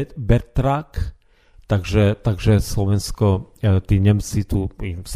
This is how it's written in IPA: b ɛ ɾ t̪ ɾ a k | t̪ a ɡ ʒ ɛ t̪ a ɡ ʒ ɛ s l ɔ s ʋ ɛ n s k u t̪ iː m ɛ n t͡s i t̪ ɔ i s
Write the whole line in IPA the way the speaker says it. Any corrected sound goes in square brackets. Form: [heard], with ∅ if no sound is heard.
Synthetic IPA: b ɛ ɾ t̪ ɾ a k | t̪ a ɡ ʒ ɛ t̪ a ɡ ʒ ɛ s l ɔ [∅] ʋ ɛ n s k [ɔ] t̪ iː [ɲ] ɛ [m] t͡s i t̪ [u] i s